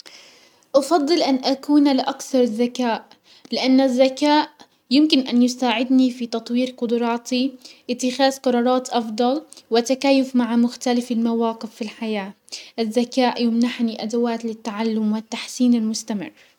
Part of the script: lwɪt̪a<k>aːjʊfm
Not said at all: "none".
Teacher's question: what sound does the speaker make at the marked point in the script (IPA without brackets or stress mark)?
k